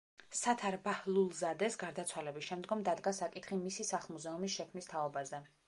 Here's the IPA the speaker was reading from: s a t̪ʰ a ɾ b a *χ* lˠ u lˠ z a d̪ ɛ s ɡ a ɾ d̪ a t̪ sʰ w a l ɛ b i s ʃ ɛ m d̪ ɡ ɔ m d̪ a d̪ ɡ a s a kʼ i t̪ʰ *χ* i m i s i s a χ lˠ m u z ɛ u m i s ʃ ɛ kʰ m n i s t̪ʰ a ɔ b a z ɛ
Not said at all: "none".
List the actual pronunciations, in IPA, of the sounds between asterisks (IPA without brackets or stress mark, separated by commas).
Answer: h, χ